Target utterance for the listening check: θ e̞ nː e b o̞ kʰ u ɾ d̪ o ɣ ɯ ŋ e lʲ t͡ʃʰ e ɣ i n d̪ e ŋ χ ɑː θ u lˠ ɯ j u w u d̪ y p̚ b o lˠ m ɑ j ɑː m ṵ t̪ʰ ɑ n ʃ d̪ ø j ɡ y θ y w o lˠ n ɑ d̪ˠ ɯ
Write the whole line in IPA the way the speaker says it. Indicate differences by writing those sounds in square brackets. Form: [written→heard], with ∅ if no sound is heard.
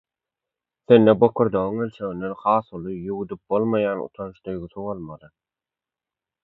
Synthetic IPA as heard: θ e̞ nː e b o̞ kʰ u ɾ d̪ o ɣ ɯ ŋ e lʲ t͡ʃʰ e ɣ i n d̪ e [ŋ→n] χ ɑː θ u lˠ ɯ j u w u d̪ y p̚ b o lˠ m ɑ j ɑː [m→n] ṵ t̪ʰ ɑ n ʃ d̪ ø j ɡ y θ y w o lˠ [n→m] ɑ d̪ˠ ɯ